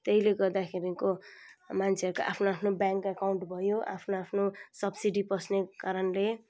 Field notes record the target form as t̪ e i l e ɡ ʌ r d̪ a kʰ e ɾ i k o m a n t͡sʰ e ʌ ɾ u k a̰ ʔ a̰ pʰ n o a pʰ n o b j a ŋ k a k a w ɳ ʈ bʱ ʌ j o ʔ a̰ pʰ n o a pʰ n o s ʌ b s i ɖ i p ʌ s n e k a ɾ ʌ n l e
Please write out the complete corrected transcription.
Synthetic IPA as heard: t̪ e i l e ɡ ʌ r d̪ a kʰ e ɾ i k o m a n t͡sʰ e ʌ ɾ u k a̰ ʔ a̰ pʰ n o a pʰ n o b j a ŋ k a k a w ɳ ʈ bʱ ʌ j o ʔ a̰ pʰ n o a pʰ n o s ʌ b s i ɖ i p ʌ s n e k a ɾ ʌ n l e